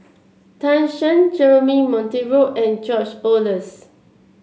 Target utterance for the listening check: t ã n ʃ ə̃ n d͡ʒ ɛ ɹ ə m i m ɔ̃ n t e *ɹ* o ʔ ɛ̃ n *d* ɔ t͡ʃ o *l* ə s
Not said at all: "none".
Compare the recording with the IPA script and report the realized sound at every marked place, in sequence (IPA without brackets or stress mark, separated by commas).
ɹ, d͡ʒ, l